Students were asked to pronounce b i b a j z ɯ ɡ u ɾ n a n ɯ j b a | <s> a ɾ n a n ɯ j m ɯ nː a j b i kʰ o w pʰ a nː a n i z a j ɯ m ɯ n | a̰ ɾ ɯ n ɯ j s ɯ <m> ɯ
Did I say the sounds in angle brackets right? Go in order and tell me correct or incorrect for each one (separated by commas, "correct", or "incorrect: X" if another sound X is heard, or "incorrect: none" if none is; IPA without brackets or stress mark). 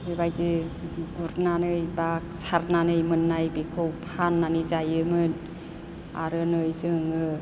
correct, incorrect: ŋ